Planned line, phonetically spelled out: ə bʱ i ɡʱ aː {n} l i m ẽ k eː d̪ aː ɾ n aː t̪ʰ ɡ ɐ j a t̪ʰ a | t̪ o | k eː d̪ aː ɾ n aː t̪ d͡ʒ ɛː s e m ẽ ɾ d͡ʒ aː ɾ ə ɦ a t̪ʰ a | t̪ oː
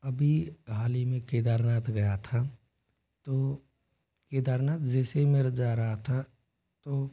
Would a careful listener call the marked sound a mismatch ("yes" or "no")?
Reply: yes